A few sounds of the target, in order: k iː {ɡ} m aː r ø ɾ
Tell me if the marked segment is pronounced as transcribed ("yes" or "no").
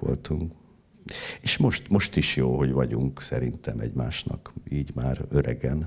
no